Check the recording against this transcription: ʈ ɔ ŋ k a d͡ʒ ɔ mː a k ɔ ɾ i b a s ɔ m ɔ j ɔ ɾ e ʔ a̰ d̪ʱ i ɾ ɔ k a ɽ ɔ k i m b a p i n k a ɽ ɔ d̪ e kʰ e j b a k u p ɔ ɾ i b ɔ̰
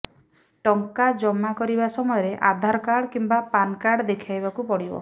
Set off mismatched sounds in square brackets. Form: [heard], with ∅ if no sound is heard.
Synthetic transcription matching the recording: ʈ ɔ ŋ k a d͡ʒ ɔ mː a k ɔ ɾ i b a s ɔ m ɔ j ɔ ɾ e ʔ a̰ d̪ʱ [a] ɾ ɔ k a ɽ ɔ k i m b a p [a] n k a ɽ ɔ d̪ e kʰ [a] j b a k u p ɔ [ɽ] i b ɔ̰